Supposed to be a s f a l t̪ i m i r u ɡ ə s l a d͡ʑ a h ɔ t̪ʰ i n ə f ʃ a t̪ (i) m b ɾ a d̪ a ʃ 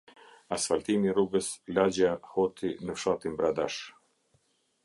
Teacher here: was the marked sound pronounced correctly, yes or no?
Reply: yes